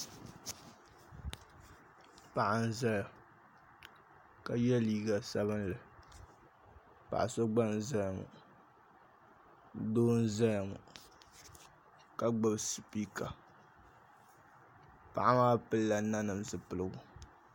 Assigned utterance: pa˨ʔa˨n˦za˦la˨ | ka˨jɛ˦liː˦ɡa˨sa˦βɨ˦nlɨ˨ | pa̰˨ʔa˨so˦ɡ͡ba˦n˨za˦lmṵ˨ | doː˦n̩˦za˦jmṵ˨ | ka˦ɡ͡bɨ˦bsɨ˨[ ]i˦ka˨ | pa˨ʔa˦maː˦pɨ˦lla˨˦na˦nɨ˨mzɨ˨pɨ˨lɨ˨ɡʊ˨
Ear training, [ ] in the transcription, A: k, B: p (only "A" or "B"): B